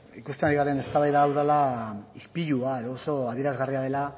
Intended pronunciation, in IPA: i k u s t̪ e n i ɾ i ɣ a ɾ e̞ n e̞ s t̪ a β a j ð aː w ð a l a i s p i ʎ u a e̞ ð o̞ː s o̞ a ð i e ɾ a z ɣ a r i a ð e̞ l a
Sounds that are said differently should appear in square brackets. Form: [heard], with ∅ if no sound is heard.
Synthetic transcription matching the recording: i k u s t̪ e n [a] ɾ i ɣ a ɾ e̞ n e̞ s t̪ a β a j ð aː w ð a l a i s p i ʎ u a e̞ ð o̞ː s o̞ a ð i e ɾ a z ɣ a r i a ð e̞ l a